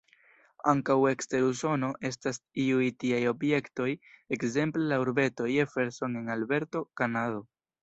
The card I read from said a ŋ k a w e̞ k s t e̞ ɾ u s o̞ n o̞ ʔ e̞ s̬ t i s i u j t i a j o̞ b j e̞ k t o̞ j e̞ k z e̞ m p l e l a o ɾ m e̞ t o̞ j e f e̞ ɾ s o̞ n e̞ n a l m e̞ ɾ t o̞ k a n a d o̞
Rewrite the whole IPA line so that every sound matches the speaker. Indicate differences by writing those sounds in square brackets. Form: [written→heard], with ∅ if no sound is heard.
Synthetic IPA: a ŋ k a w e̞ k s t e̞ ɾ u s o̞ n o̞ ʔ e̞ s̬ t [i→a] s i u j t i a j o̞ b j e̞ k t o̞ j e̞ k z e̞ m p l e l a [o→u] ɾ [m→b] e̞ t o̞ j e f e̞ ɾ s o̞ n e̞ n a l [m→b] e̞ ɾ t o̞ k a n a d o̞

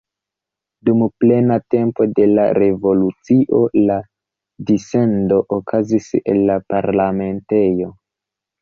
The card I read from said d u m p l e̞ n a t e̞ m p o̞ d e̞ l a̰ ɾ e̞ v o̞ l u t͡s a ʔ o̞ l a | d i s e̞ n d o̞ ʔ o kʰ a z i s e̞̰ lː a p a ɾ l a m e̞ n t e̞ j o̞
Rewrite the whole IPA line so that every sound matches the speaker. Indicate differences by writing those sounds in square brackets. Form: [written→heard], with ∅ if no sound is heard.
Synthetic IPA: d u m p l e̞ n a t e̞ m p o̞ d e̞ l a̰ ɾ e̞ v o̞ l u t͡s [a→i] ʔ o̞ l a | d i s e̞ n d o̞ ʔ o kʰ a z i s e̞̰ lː a p a ɾ l a m e̞ n t e̞ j o̞

